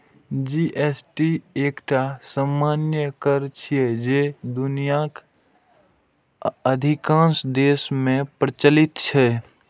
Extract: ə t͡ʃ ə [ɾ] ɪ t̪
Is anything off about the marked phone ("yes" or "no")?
yes